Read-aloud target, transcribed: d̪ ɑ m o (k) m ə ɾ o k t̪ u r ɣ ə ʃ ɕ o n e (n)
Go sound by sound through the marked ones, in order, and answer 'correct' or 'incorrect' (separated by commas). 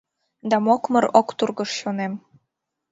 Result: correct, incorrect